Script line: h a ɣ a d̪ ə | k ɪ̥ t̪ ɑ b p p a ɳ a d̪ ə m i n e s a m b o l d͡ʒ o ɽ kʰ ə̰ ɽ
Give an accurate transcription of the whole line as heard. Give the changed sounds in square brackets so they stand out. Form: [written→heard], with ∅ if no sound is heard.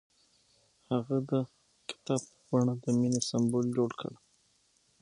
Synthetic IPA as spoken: h a ɣ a d̪ ə | k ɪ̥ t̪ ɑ b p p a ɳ a d̪ ə m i n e s a m b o l d͡ʒ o ɽ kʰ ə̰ ɽ